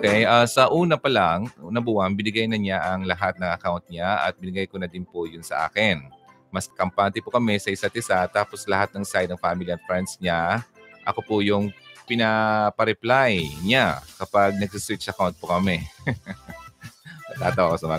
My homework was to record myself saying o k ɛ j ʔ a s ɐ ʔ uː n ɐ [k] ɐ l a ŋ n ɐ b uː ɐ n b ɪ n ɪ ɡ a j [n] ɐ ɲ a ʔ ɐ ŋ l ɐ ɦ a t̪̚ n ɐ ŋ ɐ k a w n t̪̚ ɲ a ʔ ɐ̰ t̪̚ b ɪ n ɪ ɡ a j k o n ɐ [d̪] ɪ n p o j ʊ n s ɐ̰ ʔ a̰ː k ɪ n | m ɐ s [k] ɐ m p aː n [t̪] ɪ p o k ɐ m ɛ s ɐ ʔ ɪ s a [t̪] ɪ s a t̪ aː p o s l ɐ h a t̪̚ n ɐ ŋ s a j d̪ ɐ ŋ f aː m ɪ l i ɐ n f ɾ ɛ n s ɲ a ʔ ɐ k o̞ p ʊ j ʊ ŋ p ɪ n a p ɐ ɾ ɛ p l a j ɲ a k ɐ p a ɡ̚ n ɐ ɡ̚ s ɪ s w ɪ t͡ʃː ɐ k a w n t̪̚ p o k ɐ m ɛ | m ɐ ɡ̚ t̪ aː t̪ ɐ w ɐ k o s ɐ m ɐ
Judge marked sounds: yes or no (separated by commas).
no, yes, yes, yes, yes, yes